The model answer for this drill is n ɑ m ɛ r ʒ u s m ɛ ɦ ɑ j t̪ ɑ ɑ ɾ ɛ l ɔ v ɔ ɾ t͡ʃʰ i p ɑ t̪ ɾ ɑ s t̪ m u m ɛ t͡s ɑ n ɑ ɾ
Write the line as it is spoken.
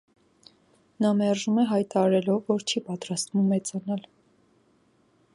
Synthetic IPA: n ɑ m ɛ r ʒ u m ɛ ɦ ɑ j t̪ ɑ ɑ ɾ ɛ l ɔ vː ɔ ɾ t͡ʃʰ i p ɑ t̪ ɾ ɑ s t̪ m u m ɛ t͡s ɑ n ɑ l